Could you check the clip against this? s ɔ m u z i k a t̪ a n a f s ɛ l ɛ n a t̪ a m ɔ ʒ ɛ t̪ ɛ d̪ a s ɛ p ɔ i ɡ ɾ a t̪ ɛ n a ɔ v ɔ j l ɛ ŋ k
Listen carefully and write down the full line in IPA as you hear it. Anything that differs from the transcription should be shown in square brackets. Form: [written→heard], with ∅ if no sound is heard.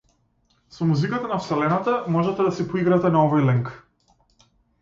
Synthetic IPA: s ɔ m u z i k a t̪ a n a f s ɛ l ɛ n a t̪ a m ɔ ʒ ɛ t̪ ɛ d̪ a s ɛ p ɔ i ɡ ɾ a t̪ ɛ n a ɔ v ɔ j l ɛ ŋ k